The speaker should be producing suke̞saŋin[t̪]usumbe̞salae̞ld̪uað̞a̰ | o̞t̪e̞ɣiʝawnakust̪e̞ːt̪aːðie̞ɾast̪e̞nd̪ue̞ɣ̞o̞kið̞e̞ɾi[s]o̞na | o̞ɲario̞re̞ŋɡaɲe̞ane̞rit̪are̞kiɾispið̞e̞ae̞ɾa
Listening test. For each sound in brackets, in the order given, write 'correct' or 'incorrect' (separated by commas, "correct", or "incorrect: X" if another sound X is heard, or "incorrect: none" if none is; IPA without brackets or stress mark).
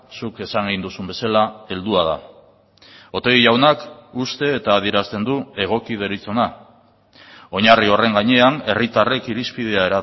incorrect: d̪, incorrect: t͡s